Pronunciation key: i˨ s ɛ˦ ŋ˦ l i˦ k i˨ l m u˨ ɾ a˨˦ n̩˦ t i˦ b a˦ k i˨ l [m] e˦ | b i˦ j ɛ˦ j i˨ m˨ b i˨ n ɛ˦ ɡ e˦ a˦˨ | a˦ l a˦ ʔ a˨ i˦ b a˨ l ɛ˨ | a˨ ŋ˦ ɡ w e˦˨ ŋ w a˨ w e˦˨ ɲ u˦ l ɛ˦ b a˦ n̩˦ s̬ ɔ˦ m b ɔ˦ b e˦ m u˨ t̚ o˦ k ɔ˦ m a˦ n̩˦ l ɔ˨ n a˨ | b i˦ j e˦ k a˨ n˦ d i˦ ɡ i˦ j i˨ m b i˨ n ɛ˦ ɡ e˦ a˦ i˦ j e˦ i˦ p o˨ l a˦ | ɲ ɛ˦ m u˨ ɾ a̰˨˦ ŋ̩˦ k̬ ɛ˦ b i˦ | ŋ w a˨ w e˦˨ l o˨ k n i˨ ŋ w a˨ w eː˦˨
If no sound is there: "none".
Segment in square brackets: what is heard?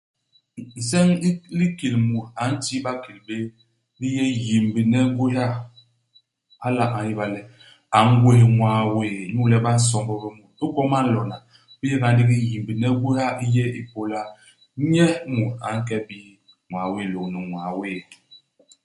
b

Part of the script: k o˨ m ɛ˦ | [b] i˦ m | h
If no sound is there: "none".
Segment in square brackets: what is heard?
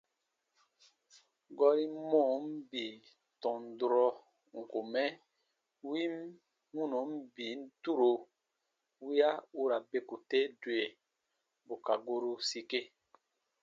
w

